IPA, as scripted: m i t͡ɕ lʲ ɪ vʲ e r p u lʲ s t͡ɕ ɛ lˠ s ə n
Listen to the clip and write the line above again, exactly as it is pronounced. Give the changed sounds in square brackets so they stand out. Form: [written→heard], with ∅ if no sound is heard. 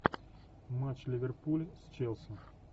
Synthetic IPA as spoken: m [i→a] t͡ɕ lʲ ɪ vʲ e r p u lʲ s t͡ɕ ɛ lˠ s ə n